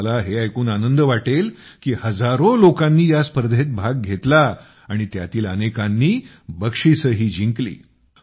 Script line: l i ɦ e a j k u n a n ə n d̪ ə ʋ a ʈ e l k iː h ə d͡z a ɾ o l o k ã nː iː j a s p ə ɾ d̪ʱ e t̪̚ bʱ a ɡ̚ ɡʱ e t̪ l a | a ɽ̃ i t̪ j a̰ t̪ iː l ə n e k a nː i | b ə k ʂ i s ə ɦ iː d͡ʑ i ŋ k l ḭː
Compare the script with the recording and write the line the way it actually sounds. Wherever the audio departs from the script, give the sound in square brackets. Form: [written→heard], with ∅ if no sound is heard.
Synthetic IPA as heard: l [i→a] ɦ e a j k [u→uː] n a n ə n d̪ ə ʋ a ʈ e l k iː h ə d͡z a ɾ o l o k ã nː iː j a s p ə ɾ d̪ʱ e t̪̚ bʱ a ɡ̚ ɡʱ e t̪ l a | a ɽ̃ i t̪ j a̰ t̪ iː l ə n e k a nː [i→iː] | b ə k ʂ i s ə ɦ iː d͡ʑ i ŋ k l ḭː